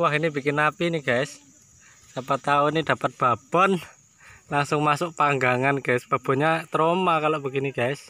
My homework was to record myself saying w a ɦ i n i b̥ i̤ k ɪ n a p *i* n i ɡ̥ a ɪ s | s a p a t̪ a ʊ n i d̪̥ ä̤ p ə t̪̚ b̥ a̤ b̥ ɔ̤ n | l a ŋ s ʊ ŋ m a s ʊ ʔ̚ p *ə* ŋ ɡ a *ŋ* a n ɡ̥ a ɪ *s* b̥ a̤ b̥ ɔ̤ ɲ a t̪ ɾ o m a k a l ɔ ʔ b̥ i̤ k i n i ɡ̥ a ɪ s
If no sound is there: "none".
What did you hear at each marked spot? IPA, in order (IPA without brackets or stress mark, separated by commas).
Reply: i, a, ŋ, s